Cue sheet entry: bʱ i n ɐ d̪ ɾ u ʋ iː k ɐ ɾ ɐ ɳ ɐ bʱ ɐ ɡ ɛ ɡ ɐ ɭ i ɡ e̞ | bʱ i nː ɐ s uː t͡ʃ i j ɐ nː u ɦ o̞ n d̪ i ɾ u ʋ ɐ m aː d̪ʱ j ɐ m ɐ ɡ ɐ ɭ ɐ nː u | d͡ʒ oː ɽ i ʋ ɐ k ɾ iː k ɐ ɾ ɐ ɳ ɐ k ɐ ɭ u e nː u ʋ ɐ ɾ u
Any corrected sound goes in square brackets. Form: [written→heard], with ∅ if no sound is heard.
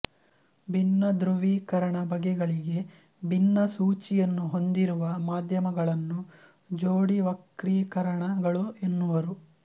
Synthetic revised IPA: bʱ i [n→nː] ɐ d̪ ɾ u ʋ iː k ɐ ɾ ɐ ɳ ɐ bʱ ɐ ɡ ɛ ɡ ɐ ɭ i ɡ e̞ | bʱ i nː ɐ s uː t͡ʃ i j ɐ nː u ɦ o̞ n d̪ i ɾ u ʋ ɐ m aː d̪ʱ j ɐ m ɐ ɡ ɐ ɭ ɐ nː u | d͡ʒ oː ɽ i ʋ ɐ k ɾ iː k ɐ ɾ ɐ ɳ ɐ [k→ɡ] ɐ ɭ u e nː u ʋ ɐ ɾ u